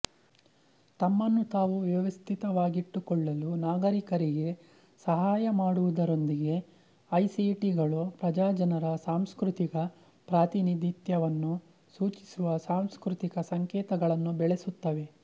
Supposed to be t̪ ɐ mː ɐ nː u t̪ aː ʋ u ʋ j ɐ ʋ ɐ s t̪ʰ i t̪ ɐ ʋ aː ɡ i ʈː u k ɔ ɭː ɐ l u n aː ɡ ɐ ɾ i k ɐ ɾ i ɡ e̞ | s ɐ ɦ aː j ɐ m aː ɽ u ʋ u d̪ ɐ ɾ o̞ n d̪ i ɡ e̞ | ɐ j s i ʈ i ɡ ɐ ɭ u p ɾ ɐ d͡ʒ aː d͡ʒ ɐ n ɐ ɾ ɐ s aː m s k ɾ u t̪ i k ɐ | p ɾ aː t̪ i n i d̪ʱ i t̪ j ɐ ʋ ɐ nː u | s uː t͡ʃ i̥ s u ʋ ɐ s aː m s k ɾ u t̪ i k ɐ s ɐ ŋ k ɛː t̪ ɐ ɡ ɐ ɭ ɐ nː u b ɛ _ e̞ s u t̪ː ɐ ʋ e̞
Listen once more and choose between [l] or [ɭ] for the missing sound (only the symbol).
ɭ